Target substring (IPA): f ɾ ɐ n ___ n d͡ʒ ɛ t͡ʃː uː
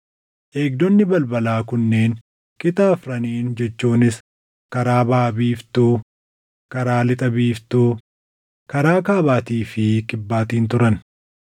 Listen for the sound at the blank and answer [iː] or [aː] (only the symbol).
iː